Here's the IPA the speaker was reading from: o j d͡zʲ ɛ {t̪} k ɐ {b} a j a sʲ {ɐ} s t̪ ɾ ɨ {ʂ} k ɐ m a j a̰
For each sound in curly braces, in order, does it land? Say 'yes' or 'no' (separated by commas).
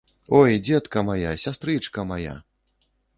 yes, no, no, no